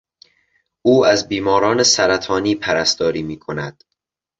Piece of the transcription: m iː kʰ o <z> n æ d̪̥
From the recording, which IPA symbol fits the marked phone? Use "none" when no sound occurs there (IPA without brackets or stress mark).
none